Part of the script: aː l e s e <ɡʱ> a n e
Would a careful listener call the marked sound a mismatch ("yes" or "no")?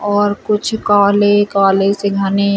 no